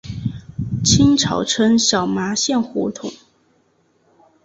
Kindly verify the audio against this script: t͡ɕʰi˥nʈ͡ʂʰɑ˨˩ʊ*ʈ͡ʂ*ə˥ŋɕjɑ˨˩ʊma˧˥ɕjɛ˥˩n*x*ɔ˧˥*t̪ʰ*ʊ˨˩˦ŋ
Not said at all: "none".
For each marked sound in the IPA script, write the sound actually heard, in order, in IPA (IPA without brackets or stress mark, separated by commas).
ʈ͡ʂʰ, x, t̪ʰ